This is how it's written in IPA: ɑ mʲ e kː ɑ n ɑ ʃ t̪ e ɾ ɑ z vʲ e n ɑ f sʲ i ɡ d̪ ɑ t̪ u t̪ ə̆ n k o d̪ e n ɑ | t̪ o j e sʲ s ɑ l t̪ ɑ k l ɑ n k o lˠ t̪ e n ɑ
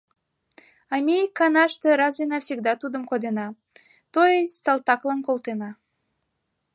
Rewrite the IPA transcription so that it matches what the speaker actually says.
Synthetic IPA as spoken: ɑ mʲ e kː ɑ n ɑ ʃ t̪ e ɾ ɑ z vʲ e n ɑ f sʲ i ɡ d̪ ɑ t̪ u d̪ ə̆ m k o d̪ e n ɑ | t̪ o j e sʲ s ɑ l t̪ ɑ k l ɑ n k o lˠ t̪ e n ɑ